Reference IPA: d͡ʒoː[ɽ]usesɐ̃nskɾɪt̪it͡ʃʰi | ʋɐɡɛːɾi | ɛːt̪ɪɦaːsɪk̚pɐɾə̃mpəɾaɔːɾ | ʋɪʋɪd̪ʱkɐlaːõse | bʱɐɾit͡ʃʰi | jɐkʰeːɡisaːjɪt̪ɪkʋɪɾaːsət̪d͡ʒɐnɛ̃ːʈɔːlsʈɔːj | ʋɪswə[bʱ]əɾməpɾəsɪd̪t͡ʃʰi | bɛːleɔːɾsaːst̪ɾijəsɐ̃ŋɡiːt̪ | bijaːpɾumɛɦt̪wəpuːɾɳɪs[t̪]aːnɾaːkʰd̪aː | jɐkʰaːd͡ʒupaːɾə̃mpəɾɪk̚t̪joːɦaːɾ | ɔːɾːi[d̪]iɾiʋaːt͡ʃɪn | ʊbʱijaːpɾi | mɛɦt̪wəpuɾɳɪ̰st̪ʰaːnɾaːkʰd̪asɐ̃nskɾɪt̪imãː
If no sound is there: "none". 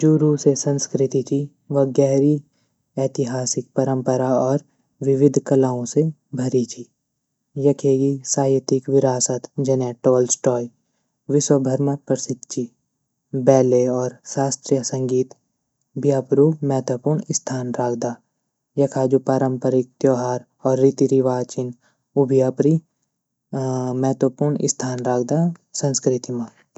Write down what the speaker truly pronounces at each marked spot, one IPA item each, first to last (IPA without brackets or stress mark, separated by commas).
ɾ, bʱ, t̪ʰ, t̪